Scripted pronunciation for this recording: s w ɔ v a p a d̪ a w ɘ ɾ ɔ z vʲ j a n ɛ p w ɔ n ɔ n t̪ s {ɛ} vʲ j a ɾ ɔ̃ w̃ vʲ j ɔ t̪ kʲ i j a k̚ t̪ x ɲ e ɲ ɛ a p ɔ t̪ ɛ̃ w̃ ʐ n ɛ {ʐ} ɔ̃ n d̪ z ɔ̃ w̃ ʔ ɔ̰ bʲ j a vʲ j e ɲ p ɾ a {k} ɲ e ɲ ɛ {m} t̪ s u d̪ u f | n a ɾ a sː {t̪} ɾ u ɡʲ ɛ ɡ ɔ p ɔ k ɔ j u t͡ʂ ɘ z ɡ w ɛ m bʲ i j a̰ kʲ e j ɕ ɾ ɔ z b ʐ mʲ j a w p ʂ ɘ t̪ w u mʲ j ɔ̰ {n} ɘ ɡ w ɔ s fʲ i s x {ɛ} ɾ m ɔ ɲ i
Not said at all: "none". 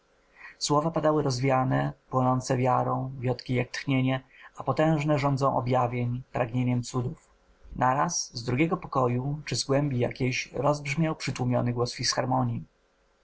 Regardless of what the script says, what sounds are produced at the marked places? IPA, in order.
ɛ, ʐ, ɡ, m, d̪, n, a

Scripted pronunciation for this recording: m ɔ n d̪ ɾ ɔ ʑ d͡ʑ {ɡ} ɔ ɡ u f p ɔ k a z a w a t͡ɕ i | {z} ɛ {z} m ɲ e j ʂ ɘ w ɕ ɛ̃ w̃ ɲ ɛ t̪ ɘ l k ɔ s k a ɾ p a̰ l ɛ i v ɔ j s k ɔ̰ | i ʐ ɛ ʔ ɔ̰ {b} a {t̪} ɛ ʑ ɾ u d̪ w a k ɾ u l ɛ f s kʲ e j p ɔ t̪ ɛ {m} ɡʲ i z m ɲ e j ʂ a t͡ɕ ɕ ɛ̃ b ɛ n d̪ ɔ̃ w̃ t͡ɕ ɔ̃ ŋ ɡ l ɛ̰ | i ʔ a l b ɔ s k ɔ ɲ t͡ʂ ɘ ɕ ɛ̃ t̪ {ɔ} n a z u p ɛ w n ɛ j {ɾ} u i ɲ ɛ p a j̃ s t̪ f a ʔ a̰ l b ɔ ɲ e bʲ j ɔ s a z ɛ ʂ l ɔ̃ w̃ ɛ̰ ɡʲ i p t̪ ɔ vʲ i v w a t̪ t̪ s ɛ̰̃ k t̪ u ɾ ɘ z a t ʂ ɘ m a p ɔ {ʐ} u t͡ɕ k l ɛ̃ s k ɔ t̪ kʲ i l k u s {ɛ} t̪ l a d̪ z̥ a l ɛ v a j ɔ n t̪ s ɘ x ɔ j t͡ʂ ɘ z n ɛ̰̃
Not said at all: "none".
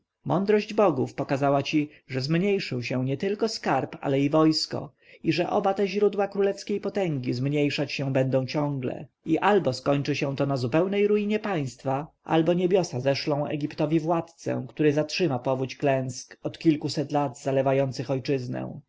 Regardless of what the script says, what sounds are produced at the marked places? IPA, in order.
b, ʐ, z, b, t̪, ŋ, ɔ, ɾ, v, ɛ

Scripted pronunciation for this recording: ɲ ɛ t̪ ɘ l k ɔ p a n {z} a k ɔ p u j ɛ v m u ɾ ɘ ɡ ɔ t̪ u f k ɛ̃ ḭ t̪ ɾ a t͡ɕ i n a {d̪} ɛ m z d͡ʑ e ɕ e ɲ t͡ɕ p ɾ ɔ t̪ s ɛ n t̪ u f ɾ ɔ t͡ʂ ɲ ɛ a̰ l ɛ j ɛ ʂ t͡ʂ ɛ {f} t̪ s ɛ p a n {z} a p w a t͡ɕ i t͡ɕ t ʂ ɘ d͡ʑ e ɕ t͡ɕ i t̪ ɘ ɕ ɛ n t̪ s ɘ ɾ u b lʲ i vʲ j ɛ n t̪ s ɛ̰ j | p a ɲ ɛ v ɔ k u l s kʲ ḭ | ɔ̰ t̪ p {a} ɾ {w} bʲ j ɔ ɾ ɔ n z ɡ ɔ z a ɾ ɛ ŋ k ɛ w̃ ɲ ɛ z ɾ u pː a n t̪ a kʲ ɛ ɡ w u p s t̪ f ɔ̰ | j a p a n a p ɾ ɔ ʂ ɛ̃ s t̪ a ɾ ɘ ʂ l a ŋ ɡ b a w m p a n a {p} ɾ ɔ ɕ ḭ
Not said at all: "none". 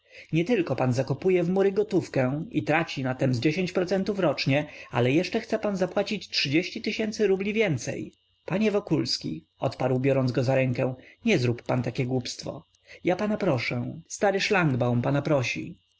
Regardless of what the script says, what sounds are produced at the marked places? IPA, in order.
z, t̪, x, z, a, w, p

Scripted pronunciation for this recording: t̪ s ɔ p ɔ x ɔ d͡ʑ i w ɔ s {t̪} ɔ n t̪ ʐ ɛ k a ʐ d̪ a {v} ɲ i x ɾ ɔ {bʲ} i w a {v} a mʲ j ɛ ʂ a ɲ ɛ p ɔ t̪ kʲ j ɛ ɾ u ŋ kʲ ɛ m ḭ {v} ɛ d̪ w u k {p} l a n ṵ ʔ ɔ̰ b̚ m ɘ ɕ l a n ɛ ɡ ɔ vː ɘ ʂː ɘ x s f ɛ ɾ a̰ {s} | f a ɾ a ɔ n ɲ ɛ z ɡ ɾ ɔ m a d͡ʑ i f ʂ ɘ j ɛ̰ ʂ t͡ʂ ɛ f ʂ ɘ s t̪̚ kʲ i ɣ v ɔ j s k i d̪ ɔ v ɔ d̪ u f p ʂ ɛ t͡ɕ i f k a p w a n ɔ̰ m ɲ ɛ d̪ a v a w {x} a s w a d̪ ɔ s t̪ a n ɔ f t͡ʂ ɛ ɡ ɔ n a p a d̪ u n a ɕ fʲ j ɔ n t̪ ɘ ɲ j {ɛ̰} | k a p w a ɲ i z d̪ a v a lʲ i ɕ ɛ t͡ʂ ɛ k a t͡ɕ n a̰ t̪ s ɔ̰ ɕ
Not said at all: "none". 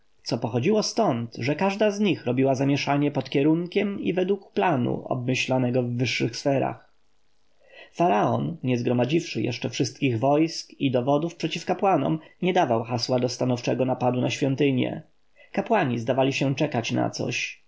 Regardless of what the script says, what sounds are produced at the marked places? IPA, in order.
t̪, z, bʲ, z, v, p, x, x, ɛ̰

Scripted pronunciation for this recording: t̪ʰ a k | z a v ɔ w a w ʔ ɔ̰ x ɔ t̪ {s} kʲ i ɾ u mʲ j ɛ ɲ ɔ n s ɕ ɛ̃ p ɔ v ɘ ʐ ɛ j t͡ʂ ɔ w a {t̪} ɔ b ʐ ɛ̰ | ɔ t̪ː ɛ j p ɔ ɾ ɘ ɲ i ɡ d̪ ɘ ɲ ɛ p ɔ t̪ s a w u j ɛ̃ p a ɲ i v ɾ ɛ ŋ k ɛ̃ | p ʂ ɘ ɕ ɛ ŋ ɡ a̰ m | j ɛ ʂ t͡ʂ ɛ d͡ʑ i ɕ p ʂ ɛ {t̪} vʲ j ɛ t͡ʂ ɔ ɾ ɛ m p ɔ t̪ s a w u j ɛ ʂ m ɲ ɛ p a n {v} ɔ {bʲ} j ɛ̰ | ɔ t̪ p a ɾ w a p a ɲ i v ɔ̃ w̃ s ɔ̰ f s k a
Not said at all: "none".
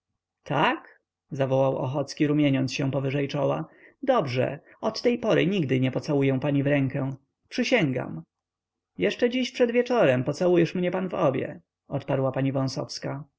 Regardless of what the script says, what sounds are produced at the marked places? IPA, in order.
s, d̪, d̪, v, bʲ

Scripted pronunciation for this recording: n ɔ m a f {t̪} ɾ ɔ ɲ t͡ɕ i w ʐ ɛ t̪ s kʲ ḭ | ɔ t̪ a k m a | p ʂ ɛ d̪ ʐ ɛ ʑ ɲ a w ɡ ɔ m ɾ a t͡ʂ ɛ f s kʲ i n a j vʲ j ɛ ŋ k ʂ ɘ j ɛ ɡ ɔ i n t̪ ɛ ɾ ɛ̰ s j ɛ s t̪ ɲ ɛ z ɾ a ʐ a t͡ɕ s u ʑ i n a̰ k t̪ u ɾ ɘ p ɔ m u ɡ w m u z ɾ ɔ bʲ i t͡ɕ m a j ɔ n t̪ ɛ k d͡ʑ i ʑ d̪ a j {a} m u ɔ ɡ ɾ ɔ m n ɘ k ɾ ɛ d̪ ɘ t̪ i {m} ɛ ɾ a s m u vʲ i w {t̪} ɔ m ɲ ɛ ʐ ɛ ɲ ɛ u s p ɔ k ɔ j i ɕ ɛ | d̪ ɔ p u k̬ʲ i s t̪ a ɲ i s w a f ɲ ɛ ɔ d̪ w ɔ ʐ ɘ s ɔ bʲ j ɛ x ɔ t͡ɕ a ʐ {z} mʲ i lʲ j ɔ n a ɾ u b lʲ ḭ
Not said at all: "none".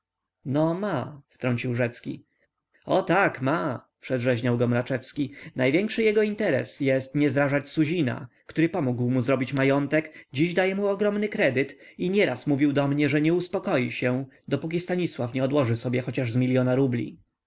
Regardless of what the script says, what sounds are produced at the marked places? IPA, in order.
t̪, ɛ, ɲ, d̪, z

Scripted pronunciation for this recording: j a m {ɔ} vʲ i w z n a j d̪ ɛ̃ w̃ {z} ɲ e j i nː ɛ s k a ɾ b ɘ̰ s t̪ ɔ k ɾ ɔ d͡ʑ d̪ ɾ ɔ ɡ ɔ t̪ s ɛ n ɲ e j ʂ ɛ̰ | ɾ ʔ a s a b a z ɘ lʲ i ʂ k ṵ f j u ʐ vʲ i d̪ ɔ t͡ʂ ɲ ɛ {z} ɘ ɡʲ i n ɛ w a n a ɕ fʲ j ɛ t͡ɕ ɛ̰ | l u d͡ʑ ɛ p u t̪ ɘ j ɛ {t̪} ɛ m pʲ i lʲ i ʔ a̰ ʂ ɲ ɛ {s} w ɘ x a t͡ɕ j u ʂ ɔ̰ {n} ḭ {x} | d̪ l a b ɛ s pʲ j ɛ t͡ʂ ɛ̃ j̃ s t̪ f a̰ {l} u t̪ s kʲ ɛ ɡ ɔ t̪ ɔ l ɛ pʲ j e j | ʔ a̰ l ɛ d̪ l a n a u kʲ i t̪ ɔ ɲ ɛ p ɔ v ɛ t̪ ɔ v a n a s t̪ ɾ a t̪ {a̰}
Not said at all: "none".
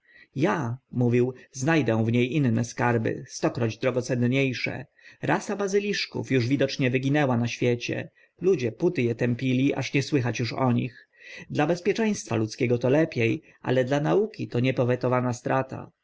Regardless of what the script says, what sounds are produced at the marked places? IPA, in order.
u, v, v, t̪, s, ɲ, x, l, a̰

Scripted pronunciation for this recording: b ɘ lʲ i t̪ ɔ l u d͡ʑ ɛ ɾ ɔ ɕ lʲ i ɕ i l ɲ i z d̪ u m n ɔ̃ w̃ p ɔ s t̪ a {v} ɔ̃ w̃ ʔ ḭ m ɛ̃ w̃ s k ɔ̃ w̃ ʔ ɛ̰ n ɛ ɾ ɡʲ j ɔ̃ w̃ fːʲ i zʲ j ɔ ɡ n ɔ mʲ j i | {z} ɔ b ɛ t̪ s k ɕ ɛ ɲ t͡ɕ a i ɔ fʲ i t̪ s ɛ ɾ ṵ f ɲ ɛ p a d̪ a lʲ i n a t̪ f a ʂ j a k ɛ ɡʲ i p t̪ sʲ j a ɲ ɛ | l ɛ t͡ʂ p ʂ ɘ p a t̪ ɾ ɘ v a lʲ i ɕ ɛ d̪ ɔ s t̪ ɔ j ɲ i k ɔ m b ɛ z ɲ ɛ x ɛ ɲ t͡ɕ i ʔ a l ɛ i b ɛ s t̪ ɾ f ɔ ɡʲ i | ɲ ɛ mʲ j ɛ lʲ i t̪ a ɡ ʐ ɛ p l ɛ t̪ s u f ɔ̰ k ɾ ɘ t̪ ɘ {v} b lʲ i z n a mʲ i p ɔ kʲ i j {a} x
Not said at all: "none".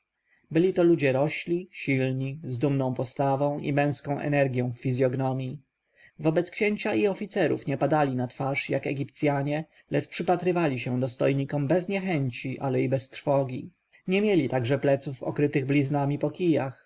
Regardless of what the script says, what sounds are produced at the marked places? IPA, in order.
v, v, ɣ, a

